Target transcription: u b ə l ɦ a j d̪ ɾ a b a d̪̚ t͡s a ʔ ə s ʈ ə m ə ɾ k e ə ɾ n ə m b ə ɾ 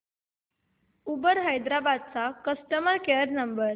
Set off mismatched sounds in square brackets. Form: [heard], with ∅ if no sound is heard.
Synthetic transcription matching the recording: u b ə [ɾ] ɦ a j d̪ ɾ a b a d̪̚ t͡s a [k] ə s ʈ ə m ə ɾ k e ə ɾ n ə m b ə ɾ